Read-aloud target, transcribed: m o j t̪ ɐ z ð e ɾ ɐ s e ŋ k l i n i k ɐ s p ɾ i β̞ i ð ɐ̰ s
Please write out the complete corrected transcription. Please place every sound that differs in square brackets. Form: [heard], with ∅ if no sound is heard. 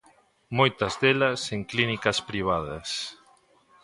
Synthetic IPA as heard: m o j t̪ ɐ z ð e [l] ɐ s e ŋ k l i n i k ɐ s p ɾ i β̞ [a] ð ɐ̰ s